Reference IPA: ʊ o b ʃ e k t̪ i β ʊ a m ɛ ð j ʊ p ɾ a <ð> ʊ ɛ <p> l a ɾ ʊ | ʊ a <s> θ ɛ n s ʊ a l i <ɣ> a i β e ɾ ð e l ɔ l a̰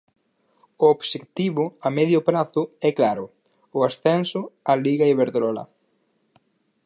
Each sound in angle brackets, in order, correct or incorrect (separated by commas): incorrect, incorrect, correct, correct